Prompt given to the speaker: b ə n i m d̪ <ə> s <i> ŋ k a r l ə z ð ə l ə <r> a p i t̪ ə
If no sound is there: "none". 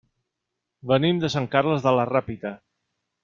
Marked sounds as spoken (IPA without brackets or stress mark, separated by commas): ə, a, r